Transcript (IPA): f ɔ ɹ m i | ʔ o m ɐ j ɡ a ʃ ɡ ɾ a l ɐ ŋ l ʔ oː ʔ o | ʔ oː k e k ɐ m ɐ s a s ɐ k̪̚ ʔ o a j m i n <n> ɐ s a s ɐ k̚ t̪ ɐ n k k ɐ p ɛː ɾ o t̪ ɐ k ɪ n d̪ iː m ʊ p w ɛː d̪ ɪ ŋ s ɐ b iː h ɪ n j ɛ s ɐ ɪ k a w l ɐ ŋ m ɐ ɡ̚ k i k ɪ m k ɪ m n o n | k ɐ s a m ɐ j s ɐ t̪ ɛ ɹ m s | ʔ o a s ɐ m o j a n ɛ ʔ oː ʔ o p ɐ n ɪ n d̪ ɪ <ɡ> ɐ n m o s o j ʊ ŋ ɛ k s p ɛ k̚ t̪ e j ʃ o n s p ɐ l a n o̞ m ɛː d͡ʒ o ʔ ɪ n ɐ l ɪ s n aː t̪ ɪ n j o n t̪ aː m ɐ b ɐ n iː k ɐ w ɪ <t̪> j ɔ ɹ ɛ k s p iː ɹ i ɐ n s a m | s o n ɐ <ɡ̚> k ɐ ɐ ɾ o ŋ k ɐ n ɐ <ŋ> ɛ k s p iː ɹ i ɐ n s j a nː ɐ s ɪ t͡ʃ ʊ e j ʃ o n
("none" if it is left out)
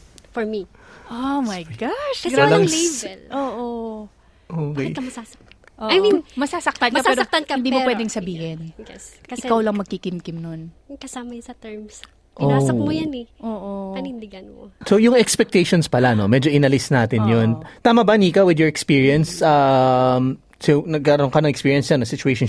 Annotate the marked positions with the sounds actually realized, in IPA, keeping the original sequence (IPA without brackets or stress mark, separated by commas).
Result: m, ɡ, d̪, ɡ̚, ŋ